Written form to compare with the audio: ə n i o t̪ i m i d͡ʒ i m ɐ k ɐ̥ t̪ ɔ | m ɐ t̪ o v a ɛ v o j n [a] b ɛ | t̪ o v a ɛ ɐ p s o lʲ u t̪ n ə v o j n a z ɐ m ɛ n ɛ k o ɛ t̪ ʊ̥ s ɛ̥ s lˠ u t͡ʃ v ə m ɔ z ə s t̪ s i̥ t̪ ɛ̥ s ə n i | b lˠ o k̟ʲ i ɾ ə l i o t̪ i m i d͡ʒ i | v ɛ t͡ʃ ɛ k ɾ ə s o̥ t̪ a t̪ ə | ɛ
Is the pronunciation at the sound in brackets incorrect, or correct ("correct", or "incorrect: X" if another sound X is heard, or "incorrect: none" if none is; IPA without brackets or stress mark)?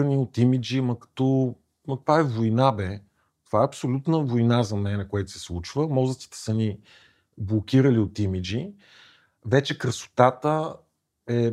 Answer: correct